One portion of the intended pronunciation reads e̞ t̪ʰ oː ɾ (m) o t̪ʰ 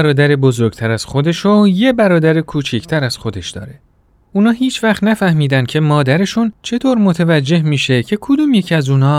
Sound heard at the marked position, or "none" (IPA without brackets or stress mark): m